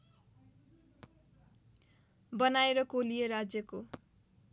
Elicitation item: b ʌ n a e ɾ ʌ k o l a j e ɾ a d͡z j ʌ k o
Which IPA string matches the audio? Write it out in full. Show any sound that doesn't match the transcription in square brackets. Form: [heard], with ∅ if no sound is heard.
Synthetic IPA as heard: b ʌ n a e ɾ ʌ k o l [i] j e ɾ a d͡z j ʌ k o